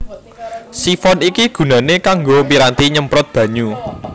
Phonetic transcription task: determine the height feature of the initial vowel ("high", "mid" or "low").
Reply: high